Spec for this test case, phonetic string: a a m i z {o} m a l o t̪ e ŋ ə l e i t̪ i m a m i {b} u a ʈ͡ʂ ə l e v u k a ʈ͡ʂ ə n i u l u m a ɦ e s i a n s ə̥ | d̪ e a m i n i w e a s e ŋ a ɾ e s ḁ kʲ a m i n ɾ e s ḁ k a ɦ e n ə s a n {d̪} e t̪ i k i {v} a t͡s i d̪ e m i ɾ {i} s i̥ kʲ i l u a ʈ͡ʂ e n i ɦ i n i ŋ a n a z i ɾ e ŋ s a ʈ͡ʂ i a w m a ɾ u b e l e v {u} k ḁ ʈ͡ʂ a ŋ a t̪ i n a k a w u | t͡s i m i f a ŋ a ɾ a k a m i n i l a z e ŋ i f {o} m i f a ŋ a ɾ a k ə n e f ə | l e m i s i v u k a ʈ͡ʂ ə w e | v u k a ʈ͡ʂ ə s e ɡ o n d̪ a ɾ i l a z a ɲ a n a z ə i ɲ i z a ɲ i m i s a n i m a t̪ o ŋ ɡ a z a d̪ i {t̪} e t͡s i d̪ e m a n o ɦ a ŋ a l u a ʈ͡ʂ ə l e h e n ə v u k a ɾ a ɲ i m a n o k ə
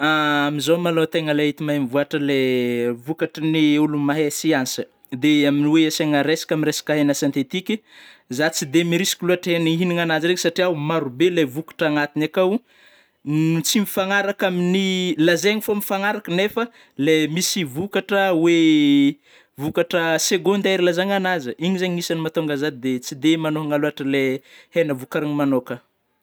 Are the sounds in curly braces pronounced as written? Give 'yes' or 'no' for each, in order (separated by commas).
yes, no, no, no, yes, yes, yes, no